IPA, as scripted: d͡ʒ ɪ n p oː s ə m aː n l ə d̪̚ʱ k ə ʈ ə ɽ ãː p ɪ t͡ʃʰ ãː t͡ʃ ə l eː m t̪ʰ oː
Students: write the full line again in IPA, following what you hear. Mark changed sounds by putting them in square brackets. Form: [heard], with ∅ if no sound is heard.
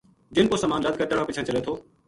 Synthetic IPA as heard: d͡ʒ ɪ n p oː s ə m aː n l ə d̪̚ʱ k ə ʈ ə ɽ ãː p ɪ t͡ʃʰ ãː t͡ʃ ə l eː [∅] t̪ʰ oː